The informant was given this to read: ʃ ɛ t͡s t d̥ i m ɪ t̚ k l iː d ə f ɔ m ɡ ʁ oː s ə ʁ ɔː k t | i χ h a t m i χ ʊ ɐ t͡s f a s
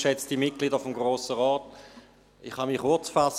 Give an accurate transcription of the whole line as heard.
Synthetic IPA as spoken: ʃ ɛ t͡s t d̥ i m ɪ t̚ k l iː d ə f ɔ m ɡ ʁ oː s ə ʁ ɔː t | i χ h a m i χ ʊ ɐ t͡s f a s

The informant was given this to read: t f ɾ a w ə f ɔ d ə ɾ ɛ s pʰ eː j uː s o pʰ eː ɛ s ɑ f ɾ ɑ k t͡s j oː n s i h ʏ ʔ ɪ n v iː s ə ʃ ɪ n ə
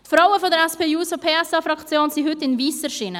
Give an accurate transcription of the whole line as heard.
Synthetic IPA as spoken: t f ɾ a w ə f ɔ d ə ɾ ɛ s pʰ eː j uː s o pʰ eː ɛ s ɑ f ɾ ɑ k t͡s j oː n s i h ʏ t ɪ n v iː s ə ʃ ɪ n ə

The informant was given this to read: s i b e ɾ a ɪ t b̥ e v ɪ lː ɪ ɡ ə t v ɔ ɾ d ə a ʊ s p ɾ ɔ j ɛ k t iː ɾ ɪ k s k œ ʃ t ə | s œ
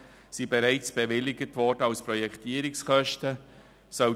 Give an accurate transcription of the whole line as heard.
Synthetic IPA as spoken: s i b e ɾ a ɪ t͡s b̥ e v ɪ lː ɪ ɡ ə t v ɔ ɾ d ə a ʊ s p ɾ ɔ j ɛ k t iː ɾ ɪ k s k œ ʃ t ə | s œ

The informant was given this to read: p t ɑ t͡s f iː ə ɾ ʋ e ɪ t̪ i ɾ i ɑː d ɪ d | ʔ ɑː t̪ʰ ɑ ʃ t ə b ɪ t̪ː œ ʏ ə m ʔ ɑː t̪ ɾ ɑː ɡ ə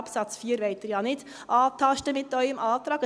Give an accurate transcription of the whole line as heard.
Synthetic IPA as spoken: p s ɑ t͡s f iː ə ɾ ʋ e ɪ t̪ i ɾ j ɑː n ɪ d | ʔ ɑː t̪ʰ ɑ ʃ t ə m ɪ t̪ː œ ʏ ə m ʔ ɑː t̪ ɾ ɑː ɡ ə

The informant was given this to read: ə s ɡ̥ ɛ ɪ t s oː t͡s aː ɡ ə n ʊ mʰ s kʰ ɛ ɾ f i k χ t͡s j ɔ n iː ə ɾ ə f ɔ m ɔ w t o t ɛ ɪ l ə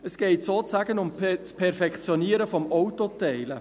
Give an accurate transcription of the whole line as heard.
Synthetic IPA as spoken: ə s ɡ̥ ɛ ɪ t s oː t͡s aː ɡ ə n ʊ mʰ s pʰ ɛ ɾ f ɛ k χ t͡s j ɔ n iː ə ɾ ə f ɔ m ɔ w t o t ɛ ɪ l ə

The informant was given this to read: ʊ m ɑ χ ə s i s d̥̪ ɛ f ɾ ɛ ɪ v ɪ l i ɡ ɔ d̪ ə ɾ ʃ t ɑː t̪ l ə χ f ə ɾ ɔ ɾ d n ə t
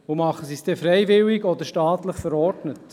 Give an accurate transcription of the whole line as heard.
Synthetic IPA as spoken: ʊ m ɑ χ ə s i s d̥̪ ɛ f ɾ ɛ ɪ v ɪ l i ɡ ɔ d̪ ə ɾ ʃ t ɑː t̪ l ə χ f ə ɾ ɔ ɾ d n ə t

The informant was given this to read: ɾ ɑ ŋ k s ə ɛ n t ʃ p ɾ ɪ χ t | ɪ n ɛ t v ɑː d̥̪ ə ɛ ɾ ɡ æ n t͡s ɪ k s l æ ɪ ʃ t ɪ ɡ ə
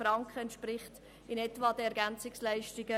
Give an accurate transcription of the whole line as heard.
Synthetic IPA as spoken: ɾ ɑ ŋ k χ ə ɛ n t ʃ p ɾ ɪ χ t | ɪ n ɛ t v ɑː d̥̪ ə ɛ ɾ ɡ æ n t͡s ɪ k s l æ ɪ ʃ t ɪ ɡ ə

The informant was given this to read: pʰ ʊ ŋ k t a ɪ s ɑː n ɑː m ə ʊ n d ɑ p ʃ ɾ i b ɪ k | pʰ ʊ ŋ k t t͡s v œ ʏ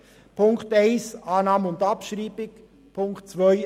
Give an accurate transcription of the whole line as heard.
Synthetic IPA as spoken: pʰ ʊ ŋ k t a ɪ s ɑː n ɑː m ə ʊ n d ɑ p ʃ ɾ iː b ɪ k | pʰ ʊ ŋ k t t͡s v œ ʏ

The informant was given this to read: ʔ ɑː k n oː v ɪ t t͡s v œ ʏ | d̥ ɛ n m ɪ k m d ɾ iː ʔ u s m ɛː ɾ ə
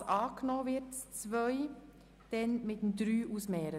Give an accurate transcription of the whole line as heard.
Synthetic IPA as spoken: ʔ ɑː k n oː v ɪ t t͡s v œ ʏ | d̥ ɛ n m ɪ t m d ɾ yː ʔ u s m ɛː ɾ ə

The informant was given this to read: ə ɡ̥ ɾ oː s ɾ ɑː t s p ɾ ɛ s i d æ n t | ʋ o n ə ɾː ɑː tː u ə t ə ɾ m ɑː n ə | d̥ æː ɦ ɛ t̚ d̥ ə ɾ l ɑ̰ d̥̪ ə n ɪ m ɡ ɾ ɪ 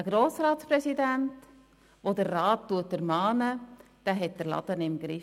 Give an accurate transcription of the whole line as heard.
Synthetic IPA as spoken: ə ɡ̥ ɾ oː s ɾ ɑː t s p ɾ ɛ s i d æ n t | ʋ o d ə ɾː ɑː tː u ə t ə ɾ m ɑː n ə | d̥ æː ɦ ɛ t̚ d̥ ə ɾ l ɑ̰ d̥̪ ə n ɪ m ɡ ɾ ɪ

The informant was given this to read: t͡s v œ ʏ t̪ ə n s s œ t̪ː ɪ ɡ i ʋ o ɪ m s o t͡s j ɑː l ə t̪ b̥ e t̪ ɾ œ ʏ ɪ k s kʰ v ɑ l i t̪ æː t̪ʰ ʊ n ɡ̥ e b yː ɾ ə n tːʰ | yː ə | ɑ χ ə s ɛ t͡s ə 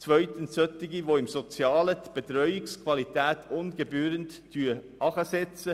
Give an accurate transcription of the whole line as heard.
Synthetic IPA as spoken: t͡s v œ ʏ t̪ ə n s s œ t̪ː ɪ ɡ i ʋ o ɪ m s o t͡s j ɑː l ə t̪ b̥ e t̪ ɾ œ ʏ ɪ k s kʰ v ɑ l i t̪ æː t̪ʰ ʊ n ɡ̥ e b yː ɾ ə n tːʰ | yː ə | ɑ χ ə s ɛ t͡s ə

